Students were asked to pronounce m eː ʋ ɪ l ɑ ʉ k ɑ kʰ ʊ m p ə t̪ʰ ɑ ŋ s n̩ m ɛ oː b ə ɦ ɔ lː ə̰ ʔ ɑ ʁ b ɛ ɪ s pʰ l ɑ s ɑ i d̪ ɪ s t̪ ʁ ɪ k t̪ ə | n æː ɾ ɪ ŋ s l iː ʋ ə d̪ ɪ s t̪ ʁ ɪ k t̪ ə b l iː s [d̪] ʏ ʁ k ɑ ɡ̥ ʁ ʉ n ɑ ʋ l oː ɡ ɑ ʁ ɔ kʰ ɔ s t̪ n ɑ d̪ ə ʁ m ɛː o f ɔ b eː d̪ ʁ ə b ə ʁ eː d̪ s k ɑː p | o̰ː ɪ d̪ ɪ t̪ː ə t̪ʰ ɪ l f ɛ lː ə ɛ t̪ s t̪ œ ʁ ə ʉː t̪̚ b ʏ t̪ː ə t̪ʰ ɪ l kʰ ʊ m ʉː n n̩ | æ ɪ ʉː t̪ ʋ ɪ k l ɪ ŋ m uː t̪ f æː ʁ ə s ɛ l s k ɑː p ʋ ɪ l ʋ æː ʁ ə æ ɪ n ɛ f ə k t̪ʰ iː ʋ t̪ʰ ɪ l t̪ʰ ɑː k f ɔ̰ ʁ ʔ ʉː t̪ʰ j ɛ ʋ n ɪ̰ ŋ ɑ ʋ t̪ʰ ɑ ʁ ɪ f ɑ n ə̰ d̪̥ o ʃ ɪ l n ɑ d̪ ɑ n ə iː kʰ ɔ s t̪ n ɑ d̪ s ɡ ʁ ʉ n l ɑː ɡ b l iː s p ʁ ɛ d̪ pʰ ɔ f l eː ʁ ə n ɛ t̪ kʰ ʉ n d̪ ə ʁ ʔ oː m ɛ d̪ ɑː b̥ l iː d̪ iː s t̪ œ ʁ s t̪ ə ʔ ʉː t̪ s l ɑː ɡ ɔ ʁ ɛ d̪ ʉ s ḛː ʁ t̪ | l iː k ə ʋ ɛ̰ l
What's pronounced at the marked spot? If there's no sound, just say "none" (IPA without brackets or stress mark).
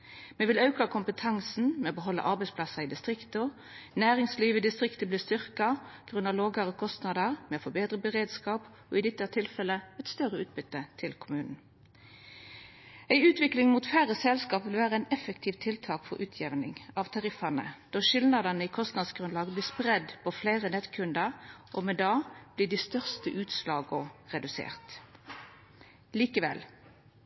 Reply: t̪